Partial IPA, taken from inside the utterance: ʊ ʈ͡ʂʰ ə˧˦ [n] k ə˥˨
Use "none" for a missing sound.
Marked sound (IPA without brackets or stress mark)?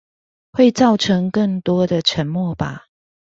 ŋ